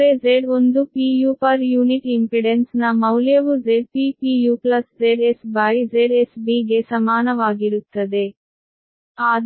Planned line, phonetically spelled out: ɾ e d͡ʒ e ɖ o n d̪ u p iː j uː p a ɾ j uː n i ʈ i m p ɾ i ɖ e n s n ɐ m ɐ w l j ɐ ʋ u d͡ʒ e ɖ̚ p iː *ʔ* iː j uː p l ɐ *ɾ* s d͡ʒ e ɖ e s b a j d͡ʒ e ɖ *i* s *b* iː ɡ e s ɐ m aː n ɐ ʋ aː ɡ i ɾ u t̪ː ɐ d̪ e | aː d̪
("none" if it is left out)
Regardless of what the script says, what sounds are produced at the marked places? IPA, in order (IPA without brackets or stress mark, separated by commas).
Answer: p, none, e, b